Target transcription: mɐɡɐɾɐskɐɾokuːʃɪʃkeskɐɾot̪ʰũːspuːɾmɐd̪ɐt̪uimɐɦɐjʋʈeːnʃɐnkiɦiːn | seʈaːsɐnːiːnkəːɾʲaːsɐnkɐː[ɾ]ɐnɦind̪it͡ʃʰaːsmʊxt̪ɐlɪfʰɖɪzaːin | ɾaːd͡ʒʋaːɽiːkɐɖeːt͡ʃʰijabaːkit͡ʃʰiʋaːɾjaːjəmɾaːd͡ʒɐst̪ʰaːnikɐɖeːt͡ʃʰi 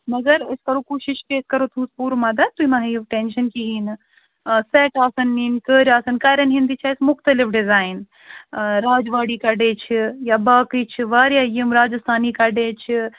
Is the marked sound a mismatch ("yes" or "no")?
no